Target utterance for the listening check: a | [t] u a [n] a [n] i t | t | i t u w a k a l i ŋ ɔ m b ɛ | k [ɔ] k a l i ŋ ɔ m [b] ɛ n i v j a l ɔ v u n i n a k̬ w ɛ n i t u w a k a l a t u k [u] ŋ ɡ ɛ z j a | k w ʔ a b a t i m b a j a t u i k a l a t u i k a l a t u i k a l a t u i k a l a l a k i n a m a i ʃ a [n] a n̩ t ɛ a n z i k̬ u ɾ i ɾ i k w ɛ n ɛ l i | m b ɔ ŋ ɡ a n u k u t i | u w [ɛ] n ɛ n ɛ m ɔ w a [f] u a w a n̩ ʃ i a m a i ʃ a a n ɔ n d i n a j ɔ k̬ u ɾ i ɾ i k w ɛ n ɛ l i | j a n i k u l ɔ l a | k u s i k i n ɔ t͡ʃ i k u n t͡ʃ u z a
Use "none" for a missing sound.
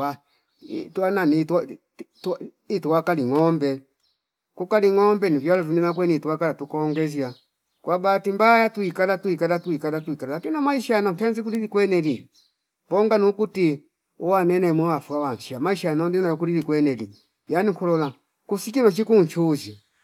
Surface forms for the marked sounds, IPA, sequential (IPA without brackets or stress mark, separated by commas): t, n, n, u, b, ɔ, n, a, f